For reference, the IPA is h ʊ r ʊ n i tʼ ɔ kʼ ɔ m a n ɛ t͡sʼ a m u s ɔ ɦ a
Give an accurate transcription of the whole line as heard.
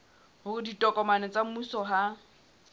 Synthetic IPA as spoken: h ʊ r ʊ d i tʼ ɔ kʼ ɔ m a n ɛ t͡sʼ a m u s ɔ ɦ a